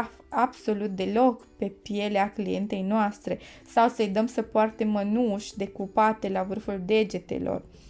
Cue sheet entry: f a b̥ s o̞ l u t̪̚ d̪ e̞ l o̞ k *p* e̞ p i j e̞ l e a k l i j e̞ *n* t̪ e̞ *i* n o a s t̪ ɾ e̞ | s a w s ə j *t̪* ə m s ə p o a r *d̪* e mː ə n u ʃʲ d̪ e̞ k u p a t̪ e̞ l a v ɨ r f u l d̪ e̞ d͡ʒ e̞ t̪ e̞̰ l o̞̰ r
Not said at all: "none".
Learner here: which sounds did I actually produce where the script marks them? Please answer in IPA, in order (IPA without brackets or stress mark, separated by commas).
p, n, j, d̪, t̪